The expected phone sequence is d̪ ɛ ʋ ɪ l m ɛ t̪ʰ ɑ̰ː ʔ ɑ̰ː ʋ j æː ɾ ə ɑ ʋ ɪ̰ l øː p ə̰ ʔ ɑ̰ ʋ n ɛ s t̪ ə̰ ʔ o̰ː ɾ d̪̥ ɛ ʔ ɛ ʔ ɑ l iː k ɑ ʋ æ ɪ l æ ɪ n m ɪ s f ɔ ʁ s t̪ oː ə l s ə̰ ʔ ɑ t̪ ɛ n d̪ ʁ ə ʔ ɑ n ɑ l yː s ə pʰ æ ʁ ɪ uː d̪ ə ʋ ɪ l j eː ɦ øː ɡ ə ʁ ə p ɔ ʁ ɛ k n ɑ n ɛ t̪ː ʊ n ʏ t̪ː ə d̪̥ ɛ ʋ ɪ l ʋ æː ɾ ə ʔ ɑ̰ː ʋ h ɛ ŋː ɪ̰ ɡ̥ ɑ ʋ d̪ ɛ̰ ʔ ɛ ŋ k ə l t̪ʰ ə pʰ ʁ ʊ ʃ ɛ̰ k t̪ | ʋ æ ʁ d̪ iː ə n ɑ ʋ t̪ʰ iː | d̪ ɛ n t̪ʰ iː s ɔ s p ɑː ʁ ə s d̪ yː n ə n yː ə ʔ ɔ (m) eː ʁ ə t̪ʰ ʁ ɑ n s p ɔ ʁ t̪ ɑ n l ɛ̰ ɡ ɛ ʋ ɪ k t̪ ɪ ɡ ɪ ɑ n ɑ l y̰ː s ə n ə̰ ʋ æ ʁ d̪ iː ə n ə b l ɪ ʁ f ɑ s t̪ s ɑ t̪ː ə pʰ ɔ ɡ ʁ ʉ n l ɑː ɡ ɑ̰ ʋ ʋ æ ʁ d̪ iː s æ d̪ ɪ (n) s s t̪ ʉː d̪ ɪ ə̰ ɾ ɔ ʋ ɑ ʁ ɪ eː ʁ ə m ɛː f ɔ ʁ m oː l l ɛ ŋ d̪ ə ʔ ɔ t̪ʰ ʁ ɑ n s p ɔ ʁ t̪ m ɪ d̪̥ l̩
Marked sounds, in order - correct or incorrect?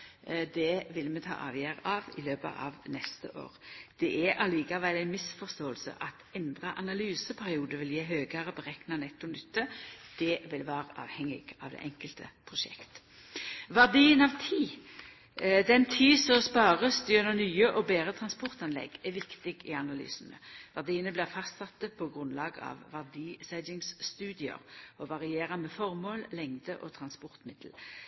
incorrect, incorrect

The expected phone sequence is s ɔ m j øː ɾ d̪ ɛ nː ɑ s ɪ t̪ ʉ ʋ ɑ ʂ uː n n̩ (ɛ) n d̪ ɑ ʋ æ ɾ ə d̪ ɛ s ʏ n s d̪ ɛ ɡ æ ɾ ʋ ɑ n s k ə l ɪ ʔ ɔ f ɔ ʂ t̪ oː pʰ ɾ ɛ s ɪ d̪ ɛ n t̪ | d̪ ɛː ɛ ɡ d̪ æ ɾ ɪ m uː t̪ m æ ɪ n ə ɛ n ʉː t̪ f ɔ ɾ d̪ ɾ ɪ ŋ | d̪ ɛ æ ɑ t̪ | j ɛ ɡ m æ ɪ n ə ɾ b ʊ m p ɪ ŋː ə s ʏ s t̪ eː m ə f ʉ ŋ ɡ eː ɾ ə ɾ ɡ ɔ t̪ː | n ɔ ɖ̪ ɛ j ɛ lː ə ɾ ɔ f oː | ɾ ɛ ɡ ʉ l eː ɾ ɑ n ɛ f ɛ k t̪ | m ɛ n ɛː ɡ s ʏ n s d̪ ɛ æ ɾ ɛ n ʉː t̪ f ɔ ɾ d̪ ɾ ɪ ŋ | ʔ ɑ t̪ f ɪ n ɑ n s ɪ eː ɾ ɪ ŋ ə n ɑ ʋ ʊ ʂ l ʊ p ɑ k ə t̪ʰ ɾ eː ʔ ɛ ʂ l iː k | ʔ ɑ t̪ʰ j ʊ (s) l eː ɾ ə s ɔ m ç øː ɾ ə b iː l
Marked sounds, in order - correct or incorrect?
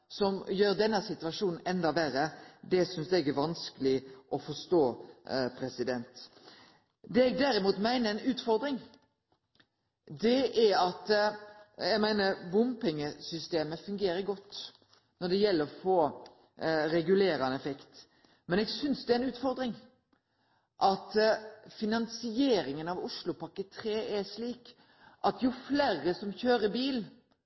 correct, incorrect

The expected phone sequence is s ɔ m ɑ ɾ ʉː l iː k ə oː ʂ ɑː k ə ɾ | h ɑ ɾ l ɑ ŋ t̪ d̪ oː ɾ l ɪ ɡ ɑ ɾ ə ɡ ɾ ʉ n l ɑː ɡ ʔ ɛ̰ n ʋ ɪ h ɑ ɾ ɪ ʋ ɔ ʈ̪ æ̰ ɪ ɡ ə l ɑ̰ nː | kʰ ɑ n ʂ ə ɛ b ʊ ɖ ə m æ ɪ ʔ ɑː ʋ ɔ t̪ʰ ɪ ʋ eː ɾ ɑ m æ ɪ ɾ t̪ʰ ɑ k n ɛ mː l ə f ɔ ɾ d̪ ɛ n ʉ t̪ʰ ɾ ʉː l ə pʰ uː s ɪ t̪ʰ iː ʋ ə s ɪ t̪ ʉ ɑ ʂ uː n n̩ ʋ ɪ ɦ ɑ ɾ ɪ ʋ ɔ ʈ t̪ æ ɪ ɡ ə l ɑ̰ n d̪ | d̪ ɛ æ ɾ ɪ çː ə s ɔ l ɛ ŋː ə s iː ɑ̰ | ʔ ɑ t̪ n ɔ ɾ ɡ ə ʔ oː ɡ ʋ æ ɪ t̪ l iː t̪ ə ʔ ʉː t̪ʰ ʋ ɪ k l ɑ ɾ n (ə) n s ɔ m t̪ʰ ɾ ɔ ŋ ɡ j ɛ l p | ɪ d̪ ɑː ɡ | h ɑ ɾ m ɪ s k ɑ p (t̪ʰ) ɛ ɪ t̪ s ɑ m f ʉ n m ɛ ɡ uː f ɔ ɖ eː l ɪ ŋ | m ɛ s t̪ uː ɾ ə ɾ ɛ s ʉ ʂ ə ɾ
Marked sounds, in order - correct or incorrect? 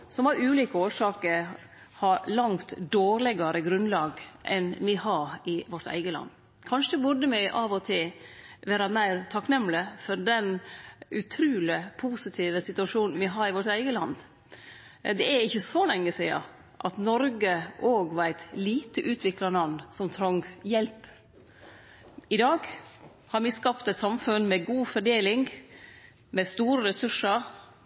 incorrect, incorrect

